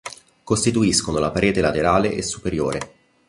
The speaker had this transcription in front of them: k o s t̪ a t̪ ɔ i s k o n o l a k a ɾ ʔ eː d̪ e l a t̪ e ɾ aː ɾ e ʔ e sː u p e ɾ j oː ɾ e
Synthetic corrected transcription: k o s t̪ i t̪ u i s k o n o l a p a ɾ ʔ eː t̪ e l a t̪ e ɾ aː l e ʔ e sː u p e ɾ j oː ɾ e